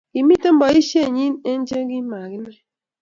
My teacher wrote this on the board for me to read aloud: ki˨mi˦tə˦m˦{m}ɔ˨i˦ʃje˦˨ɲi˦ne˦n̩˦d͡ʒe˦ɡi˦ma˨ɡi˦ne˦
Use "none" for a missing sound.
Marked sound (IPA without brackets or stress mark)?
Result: b